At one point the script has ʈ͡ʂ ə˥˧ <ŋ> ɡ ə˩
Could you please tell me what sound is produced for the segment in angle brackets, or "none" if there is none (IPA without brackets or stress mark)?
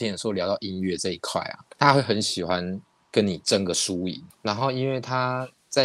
ŋ